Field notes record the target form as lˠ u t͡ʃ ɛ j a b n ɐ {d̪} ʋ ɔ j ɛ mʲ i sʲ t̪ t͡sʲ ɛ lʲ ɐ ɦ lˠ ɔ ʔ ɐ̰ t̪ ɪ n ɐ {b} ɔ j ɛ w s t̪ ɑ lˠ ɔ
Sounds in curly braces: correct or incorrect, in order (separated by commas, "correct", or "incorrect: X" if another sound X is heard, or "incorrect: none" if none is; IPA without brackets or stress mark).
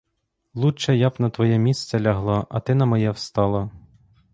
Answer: incorrect: t̪, incorrect: m